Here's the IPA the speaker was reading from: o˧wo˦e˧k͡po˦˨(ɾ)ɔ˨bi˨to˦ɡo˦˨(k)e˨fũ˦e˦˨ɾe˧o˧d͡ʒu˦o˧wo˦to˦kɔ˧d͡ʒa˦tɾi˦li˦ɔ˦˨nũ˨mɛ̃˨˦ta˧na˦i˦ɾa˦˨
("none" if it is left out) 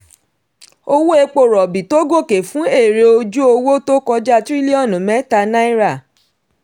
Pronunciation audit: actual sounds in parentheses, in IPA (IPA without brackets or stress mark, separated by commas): ɾ, k